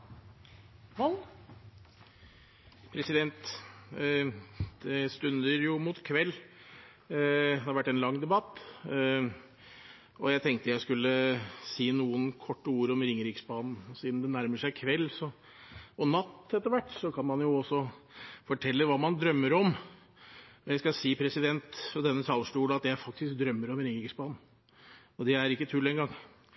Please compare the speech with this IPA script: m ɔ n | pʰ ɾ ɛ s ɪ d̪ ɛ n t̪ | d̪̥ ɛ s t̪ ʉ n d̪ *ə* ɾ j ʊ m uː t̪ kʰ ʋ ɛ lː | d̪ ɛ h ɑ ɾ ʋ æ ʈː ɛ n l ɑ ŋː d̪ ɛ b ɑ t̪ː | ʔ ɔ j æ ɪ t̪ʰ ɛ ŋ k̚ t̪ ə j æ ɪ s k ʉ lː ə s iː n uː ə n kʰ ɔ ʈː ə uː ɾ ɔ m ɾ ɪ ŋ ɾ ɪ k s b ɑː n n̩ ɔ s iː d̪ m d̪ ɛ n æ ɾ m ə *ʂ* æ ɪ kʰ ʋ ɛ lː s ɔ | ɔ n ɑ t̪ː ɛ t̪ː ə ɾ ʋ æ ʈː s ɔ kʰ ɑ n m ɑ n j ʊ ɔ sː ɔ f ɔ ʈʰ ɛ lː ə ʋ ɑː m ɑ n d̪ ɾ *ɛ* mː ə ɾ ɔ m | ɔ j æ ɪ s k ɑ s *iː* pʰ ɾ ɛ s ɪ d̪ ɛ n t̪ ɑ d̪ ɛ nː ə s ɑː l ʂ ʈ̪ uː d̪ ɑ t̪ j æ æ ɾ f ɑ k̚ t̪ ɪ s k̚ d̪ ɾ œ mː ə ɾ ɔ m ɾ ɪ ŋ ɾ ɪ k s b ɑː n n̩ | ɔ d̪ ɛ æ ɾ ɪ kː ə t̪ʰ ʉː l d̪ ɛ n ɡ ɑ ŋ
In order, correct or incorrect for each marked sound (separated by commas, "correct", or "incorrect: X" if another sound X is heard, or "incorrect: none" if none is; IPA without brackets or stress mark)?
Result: correct, correct, incorrect: œ, correct